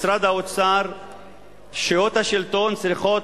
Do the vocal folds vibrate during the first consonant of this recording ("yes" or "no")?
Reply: no